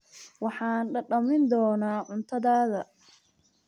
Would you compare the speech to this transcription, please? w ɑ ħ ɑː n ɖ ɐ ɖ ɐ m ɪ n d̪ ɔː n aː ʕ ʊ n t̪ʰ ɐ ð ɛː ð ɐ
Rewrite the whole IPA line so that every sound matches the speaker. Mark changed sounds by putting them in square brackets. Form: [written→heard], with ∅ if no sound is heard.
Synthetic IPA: w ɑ ħ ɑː n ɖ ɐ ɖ ɐ m ɪ n d̪ ɔː n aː ʕ ʊ n t̪ʰ ɐ ð [ɛː→aː] ð ɐ